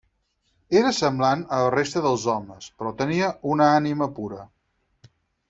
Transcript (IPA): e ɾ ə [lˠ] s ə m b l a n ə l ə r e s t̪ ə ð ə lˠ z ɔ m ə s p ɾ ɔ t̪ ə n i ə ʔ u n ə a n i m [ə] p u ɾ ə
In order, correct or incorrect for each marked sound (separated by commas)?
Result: incorrect, correct